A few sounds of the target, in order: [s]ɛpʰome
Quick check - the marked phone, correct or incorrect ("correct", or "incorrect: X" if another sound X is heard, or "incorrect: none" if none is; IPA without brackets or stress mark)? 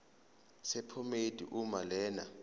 correct